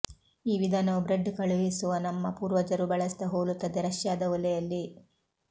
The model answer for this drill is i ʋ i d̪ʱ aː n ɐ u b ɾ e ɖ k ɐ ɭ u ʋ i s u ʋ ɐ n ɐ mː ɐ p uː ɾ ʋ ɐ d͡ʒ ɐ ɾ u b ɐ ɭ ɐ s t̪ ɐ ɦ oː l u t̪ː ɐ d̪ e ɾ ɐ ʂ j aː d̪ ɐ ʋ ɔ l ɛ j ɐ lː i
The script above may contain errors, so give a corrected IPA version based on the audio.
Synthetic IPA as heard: iː ʋ i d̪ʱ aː n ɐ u b ɾ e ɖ k ɐ ɭ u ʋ i s u ʋ ɐ n ɐ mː ɐ p uː ɾ ʋ ɐ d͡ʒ ɐ ɾ u b ɐ ɭ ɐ s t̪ ɐ ɦ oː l u t̪ː ɐ d̪ e ɾ ɐ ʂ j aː d̪ ɐ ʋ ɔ l ɛ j ɐ lː i